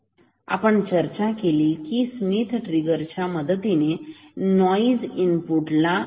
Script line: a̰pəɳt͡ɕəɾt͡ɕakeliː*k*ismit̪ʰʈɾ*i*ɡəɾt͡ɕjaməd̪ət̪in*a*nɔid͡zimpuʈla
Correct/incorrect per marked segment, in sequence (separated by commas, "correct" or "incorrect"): correct, correct, incorrect